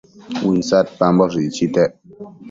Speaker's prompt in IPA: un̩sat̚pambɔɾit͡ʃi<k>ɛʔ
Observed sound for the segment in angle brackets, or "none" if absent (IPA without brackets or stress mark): t